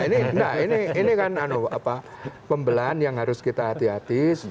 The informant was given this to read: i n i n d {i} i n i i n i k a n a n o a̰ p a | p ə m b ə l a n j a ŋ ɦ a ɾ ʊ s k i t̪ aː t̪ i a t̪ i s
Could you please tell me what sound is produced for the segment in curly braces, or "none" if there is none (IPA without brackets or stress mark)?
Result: a